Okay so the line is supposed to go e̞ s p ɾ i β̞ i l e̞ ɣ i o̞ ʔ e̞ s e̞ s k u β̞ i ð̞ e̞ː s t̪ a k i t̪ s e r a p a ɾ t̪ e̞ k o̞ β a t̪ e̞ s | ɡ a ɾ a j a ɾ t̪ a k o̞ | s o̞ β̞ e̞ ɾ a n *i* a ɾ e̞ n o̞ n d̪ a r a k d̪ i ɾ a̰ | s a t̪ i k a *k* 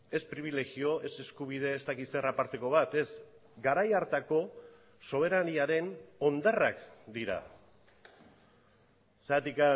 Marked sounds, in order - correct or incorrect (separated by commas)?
correct, incorrect